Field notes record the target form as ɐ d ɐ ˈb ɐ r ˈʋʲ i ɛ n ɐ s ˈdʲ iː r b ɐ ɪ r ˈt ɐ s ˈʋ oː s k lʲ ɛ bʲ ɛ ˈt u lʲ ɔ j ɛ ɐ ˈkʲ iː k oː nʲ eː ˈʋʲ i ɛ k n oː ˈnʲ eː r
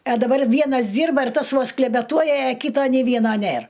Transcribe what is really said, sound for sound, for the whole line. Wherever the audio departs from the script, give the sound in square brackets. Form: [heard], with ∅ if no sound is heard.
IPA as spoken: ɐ d ɐ ˈb ɐ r ˈʋʲ i ɛ n ɐ s ˈdʲ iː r b ɐ ɪ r ˈt ɐ s ˈʋ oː s k lʲ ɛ bʲ ɛ ˈt u [∅] ɔ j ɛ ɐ ˈkʲ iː [t] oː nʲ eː ˈʋʲ i ɛ [∅] n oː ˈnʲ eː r